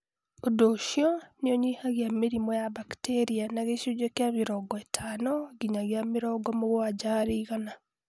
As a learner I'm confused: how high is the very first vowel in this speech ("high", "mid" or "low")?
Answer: mid